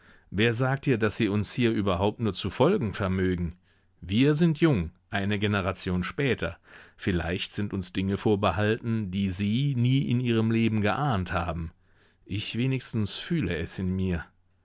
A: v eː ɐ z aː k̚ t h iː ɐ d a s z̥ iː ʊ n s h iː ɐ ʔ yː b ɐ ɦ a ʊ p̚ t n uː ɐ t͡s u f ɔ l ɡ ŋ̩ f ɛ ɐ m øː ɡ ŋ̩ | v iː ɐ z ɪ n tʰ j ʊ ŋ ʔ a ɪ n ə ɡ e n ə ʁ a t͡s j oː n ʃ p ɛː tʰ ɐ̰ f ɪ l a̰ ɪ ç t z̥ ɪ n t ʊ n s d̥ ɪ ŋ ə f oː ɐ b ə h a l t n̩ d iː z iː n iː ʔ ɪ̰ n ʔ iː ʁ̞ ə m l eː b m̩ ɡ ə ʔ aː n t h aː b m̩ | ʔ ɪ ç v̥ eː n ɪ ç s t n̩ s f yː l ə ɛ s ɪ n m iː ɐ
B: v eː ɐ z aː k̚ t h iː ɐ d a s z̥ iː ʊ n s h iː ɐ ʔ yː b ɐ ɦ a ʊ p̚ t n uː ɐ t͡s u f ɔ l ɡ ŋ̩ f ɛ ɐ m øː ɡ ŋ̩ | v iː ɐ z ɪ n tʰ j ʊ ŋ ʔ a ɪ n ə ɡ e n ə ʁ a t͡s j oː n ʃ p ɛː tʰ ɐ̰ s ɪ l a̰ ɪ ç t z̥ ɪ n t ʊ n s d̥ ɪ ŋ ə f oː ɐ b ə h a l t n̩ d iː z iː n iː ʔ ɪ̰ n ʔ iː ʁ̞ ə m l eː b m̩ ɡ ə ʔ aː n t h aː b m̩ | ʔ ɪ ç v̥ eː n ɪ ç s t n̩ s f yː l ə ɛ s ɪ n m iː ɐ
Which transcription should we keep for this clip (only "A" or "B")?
A